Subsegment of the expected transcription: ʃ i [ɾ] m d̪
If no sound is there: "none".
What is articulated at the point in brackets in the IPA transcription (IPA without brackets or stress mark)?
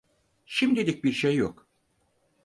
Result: none